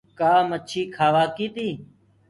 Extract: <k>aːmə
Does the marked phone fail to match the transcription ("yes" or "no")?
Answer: no